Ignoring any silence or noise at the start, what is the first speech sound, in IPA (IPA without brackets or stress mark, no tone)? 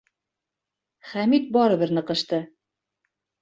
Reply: χ